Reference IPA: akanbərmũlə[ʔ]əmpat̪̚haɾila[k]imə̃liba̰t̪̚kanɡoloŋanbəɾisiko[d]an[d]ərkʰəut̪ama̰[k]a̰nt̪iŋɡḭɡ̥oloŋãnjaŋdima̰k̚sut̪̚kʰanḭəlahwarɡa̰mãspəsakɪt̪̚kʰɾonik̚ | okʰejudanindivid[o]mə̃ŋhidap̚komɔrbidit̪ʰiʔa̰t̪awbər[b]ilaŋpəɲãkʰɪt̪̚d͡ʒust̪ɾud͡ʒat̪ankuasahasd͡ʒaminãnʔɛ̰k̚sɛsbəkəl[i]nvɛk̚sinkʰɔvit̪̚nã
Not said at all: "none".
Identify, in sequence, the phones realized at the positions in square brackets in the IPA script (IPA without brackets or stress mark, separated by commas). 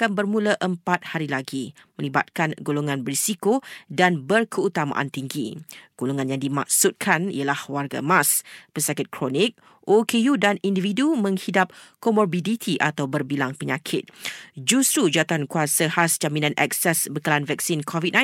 ʔ, ɡ, d, b, ʔ, u, b, a